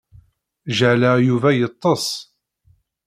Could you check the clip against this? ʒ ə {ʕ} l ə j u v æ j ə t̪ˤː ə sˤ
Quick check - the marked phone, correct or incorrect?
correct